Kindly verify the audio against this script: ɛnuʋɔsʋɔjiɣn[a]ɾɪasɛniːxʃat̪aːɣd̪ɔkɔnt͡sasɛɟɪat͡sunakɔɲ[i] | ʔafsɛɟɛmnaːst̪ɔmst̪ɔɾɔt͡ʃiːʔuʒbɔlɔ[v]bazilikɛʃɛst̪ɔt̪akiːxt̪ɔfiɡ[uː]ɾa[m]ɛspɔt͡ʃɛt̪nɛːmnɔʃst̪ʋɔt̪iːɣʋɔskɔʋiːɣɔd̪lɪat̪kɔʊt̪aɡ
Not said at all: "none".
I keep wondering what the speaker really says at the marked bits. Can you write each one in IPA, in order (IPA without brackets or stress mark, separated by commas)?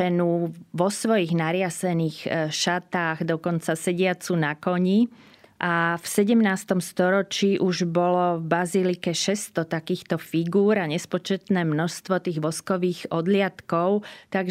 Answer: a, i, v, uː, ɲ